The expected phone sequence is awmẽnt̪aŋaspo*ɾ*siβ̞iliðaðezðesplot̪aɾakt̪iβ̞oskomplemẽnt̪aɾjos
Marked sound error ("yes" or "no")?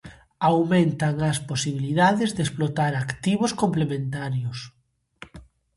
yes